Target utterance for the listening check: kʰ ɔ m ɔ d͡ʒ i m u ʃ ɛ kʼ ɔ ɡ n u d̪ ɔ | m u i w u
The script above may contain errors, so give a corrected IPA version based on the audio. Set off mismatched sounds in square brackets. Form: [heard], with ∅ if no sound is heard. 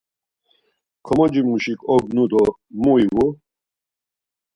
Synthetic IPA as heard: kʰ ɔ m ɔ d͡ʒ i m u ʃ [i] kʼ ɔ ɡ n u d̪ ɔ | m u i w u